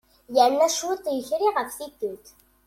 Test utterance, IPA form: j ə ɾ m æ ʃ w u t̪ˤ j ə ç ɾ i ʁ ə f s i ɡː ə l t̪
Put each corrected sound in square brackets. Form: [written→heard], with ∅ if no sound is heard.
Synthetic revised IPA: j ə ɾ [m→n] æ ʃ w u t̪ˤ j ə ç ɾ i ʁ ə f [s→θ] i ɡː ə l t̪

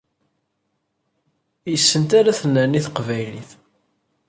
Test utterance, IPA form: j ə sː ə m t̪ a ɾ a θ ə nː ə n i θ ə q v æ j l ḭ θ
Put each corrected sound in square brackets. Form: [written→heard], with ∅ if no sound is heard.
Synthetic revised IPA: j ə sː ə [m→n] t̪ a ɾ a θ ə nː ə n i θ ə q v æ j l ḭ θ

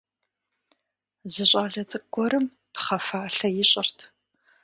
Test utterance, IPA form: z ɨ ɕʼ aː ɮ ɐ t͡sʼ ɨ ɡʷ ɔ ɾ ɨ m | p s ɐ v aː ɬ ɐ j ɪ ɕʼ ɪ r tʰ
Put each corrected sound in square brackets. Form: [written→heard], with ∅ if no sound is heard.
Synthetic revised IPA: z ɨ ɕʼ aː ɮ ɐ t͡sʼ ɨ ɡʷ ɔ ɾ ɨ m | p [s→χ] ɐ [v→f] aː ɬ ɐ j ɪ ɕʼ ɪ r tʰ

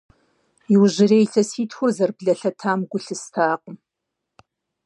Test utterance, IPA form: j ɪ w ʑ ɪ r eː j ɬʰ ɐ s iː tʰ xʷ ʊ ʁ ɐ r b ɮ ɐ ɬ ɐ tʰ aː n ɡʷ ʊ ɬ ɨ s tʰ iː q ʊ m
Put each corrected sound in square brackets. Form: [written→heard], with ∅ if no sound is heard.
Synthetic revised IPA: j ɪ w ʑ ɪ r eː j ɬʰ ɐ s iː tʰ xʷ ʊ [ʁ→z] ɐ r b ɮ ɐ ɬ ɐ tʰ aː [n→m] ɡʷ ʊ ɬ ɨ s tʰ [iː→aː] q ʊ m

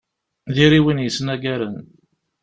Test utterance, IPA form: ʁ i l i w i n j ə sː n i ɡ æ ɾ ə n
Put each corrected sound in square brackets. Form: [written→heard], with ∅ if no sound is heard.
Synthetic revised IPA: [ʁ→ð] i [l→ɾ] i w i n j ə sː n [i→æ] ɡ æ ɾ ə n

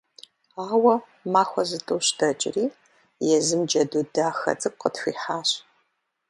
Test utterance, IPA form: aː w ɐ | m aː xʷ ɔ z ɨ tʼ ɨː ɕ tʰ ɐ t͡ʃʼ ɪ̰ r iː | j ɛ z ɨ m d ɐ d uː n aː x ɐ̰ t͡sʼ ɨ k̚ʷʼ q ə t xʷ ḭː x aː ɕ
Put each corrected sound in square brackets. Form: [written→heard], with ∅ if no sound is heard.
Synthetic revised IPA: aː w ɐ | m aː xʷ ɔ z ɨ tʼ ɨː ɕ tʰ ɐ t͡ʃʼ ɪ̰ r iː | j ɛ z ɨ m [d→d͡ʒ] ɐ d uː [n→d] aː x ɐ̰ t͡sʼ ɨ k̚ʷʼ q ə t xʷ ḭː [x→ħ] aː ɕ

